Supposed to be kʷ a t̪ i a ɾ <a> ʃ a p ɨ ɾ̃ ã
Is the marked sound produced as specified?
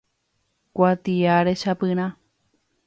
no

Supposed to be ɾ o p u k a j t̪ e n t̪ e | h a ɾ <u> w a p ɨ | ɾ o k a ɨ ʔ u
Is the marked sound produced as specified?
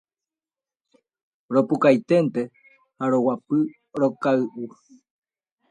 no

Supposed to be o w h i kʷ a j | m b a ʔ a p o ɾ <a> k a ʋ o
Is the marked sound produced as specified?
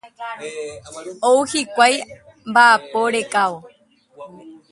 no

